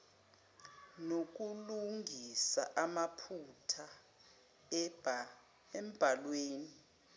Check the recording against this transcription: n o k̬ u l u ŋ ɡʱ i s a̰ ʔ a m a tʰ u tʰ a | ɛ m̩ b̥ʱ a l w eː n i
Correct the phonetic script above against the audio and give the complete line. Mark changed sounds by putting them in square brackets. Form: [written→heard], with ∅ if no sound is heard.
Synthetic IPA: n o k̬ u l u ŋ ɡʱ i s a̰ ʔ a m a [tʰ→pʰ] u tʰ a | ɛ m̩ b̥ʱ a l w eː n i